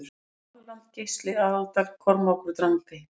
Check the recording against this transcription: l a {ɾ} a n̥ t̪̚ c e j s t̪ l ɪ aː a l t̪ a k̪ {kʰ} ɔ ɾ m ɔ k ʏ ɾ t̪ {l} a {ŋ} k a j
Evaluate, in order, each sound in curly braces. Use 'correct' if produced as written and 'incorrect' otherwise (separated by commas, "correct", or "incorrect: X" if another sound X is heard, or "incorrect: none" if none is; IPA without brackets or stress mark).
incorrect: l, correct, incorrect: ɾ, correct